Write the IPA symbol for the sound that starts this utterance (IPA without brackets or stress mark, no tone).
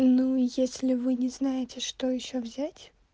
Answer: n